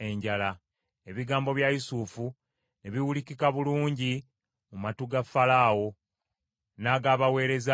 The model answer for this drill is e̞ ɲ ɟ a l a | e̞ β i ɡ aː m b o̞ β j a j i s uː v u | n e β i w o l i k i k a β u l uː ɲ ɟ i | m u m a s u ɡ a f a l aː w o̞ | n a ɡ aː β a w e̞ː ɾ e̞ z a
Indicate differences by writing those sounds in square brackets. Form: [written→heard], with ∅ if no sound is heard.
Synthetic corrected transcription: e̞ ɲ ɟ a l a | e̞ β i ɡ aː m b o̞ β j a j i s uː [v→f] u | n e β i w [o→u] l i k i k a β u l uː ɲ ɟ i | m u m a [s→t] u ɡ a f a l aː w o̞ | n a ɡ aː β a w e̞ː ɾ e̞ z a

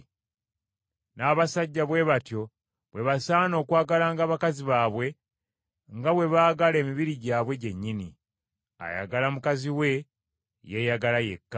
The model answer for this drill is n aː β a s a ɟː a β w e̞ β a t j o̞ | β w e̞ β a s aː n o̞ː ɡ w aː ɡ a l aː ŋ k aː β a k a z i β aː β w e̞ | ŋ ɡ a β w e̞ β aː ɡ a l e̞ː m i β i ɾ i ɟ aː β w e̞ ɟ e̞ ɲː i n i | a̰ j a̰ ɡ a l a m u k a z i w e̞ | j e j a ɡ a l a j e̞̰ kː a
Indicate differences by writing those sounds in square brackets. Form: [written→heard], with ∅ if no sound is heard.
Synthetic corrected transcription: n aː β a s a ɟː a β w e̞ β a t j o̞ | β w e̞ β a s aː n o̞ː [ɡ→k] w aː ɡ a l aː ŋ [k→ɡ] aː β a k a z i β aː β w e̞ | ŋ ɡ a β w e̞ β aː ɡ a l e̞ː m i β i ɾ i ɟ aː β w e̞ ɟ e̞ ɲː i n i | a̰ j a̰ ɡ a l a m u k a z i w e̞ | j e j a ɡ a l a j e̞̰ kː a

